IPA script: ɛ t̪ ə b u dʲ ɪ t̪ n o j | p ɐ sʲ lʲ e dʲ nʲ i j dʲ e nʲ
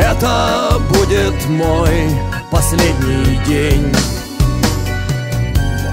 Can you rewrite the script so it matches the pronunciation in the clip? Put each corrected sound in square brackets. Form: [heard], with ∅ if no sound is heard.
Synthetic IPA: ɛ t̪ ə b u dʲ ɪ t̪ [m] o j | p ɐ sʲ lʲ e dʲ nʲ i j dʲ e nʲ